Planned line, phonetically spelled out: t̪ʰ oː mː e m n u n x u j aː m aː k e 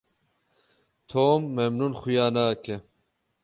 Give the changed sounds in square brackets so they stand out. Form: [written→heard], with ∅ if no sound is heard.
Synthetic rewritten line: t̪ʰ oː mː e m n u n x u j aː [m→n] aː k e